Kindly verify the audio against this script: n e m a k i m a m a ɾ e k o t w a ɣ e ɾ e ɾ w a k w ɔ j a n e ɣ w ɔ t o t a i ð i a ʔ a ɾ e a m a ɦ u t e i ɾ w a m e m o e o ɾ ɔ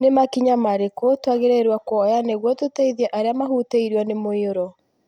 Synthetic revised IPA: n e m a k i ɲ a m a ɾ e k o t w a ɣ e ɾ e ɾ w a k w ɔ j a n e ɣ w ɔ t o t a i ð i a ʔ a ɾ e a m a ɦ u t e i ɾ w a n e m o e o ɾ ɔ